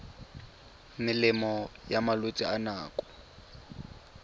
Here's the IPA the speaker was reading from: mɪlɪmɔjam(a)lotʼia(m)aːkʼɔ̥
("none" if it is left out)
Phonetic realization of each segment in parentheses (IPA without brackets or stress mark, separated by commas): a, n